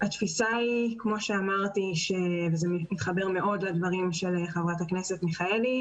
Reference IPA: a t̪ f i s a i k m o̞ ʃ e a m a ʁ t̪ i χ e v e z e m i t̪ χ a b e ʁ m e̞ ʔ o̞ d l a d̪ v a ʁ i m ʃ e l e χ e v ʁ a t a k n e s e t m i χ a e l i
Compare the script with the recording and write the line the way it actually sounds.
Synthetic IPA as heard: a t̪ f i s a i k m o̞ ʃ e a m a ʁ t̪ i ʃ e v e z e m i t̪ χ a b e ʁ m e̞ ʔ o̞ d l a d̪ v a ʁ i m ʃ e l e χ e v ʁ a t a k n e s e t m i χ a e l i

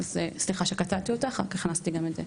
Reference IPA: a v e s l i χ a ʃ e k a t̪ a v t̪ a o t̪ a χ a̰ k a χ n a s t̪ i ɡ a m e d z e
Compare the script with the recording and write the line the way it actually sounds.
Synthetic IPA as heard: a z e s l i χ a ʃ e k a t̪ a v t̪ i o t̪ a χ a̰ k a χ n a s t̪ i ɡ a m e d z e

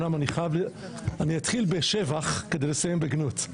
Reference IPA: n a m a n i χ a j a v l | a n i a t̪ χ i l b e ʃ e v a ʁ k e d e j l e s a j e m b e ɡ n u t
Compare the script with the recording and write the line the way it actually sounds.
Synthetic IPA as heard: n a m a n i χ a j a v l | a n i a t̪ χ i l b e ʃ e v a χ k e d e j l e s a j e m b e ɡ n u t

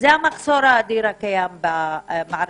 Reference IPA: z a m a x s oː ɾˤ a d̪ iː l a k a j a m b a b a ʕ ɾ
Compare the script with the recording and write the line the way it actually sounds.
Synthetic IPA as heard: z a m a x s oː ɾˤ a d̪ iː ɾ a k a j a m b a m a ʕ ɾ

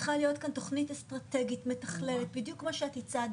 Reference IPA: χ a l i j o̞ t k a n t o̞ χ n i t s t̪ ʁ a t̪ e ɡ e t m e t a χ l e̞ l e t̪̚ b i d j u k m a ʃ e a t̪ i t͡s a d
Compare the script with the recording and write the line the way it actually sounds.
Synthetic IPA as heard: χ a l i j o̞ t k a n t o̞ χ n i t s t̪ ʁ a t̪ e ɡ i t m e t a χ l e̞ l e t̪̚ b i d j u k m a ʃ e a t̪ i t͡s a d

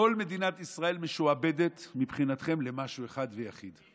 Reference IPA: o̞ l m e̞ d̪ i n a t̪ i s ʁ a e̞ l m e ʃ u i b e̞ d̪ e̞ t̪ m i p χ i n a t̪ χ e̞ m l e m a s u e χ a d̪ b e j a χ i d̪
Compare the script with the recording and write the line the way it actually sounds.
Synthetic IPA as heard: o̞ l m e̞ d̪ i n a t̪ i s ʁ a e̞ l m e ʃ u a b e̞ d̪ e̞ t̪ m i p χ i n a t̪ χ e̞ m l e m a ʃ u e χ a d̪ v e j a χ i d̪

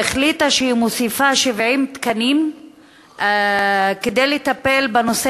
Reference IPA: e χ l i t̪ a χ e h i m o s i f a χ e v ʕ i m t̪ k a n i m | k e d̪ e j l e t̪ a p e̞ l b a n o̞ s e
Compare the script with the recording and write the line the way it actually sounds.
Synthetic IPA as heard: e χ l i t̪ a ʃ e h i m o s i f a ʃ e v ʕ i m t̪ k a n i m | k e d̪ e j l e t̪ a p e̞ l b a n o̞ s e

